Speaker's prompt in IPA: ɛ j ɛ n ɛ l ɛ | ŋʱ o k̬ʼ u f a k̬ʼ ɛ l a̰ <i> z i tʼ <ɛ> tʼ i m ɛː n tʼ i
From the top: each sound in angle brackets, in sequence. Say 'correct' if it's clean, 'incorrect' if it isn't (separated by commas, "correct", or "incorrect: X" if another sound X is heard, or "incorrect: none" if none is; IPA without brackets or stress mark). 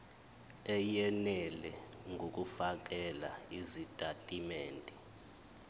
correct, incorrect: a